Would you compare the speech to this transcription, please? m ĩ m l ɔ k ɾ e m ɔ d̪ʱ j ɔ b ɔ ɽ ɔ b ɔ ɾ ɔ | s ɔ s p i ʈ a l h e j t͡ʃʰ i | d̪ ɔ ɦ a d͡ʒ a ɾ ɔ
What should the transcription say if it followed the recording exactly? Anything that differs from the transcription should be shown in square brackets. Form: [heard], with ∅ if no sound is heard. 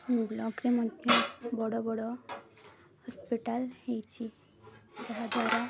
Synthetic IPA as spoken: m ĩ [b] l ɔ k ɾ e m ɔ d̪ʱ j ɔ b ɔ ɽ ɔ b ɔ [ɽ] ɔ | [h] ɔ s p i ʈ a l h e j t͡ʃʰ i | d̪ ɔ ɦ a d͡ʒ a ɾ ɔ